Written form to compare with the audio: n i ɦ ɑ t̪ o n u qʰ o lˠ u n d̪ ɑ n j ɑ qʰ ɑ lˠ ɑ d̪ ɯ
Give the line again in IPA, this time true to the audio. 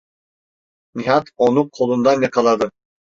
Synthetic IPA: n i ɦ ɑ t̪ o n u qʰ o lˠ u n d̪ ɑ n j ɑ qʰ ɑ lˠ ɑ d̪ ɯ